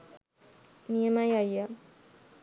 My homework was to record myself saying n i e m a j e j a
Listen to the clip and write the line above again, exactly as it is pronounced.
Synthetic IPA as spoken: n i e m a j a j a

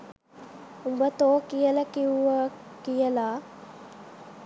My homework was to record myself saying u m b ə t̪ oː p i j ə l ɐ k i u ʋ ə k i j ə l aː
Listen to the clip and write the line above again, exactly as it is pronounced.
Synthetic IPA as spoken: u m b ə t̪ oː k i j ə l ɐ k i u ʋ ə k i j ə l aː

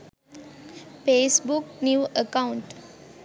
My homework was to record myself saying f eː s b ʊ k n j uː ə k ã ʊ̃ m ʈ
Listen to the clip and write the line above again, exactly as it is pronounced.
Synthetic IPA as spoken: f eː s b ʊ k n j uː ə k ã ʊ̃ ɳ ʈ

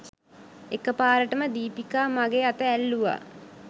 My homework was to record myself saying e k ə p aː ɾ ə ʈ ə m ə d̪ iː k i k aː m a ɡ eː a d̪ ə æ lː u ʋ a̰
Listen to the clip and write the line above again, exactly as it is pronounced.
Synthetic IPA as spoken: e k ə p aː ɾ ə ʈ ə m ə d̪ iː p i k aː m a ɡ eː a t̪ ə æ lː u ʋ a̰

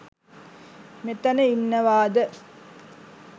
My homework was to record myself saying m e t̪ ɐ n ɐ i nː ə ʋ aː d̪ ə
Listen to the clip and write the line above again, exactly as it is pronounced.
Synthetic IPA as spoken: m e t̪ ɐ n ə i nː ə ʋ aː d̪ ə

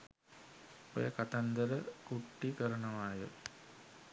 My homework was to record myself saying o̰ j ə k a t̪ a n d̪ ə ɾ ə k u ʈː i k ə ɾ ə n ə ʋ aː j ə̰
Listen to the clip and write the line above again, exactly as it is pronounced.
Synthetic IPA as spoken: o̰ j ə k a t̪ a n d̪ ə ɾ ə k u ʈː i k ə ɾ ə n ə ʋ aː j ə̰

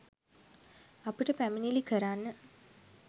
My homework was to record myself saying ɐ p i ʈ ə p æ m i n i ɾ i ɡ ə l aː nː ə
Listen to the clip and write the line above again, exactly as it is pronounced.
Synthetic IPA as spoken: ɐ p i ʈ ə p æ m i n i l i k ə ɾ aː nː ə

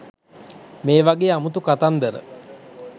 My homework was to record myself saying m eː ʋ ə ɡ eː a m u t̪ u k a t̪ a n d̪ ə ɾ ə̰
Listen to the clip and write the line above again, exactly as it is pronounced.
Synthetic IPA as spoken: m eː ʋ a ɡ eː a m u t̪ u k a t̪ a n d̪ ə ɾ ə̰

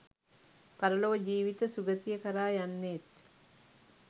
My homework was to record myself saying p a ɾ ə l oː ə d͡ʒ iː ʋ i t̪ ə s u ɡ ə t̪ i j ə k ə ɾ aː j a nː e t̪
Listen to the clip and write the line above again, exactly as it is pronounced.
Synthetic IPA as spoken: p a ɾ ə l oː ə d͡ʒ iː ʋ i t̪ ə s u ɡ ə t̪ i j ə k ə ɾ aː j a nː e t̪

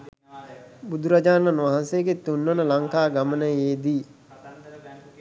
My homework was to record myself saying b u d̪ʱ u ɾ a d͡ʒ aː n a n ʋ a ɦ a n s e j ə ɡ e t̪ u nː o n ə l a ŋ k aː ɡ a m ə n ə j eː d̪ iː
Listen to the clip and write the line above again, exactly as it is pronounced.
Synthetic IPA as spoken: b u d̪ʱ u ɾ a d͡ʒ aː n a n ʋ a ɦ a n s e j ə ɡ e t̪ u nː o n ə l a ŋ k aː ɡ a m ə n ə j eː d̪ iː

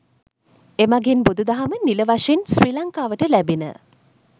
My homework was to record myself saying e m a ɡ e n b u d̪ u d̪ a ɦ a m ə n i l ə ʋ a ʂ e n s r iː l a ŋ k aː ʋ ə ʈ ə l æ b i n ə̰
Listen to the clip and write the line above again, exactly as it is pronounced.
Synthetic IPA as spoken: e m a ɡ e n b u d̪ u d̪ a ɦ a m ə n i l ə ʋ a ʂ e n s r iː l a ŋ k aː ʋ ə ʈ ə l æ b i n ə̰

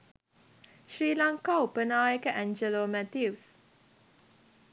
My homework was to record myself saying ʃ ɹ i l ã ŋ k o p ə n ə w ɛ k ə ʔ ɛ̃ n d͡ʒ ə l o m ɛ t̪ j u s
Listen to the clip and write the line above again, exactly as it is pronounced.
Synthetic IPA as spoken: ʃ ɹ i l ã ŋ k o p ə n a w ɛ k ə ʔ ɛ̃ n d͡ʒ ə l o m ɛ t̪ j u s

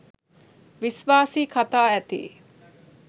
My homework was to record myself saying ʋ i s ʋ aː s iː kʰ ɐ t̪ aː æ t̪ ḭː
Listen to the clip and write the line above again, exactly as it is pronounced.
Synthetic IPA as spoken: ʋ i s ʋ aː s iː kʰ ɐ t̪ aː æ t̪ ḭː

